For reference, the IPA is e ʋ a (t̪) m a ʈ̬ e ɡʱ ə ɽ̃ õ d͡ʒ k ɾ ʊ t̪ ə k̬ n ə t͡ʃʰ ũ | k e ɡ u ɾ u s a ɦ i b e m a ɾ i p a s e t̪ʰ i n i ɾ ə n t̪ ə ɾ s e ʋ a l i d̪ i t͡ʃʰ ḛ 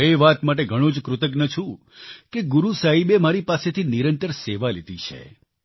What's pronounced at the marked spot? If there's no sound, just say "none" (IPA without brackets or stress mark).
t̪